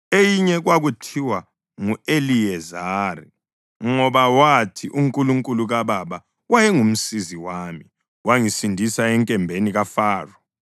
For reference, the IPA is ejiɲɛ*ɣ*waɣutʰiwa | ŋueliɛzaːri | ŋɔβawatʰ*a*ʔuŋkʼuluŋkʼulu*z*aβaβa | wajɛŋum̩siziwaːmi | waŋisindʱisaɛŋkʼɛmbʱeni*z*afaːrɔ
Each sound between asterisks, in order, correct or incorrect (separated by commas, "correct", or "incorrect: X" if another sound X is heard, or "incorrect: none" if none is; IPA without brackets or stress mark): correct, incorrect: i, incorrect: ɣ, incorrect: ɣ